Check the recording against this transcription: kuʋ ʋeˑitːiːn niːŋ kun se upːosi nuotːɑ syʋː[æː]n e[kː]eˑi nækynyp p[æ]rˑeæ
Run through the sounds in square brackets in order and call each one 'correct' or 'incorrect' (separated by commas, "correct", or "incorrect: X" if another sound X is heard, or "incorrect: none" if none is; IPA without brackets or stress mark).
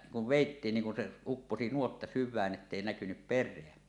correct, incorrect: tː, incorrect: e